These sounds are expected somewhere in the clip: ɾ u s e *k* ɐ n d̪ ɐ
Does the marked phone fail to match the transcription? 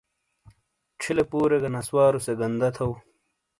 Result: yes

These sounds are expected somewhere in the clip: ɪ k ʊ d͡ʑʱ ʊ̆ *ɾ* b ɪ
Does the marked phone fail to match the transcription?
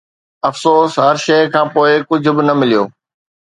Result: yes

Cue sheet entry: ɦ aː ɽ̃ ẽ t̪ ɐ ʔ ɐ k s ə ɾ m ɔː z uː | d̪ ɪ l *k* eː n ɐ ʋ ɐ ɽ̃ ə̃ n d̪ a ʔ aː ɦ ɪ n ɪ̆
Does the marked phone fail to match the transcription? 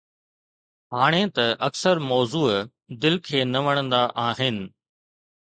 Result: yes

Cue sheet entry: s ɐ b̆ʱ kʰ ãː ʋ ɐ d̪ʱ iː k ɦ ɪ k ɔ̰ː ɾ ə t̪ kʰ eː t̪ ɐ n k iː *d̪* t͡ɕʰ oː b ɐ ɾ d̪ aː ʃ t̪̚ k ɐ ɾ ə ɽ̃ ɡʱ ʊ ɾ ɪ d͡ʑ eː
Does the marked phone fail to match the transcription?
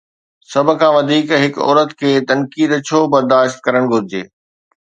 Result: no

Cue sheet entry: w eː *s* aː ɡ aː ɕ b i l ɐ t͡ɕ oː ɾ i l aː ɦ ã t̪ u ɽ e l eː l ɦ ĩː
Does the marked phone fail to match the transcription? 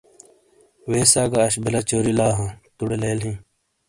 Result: no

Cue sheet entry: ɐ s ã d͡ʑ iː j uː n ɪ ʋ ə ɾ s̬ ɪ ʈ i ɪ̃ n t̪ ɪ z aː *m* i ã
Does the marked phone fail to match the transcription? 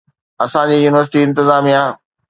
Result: no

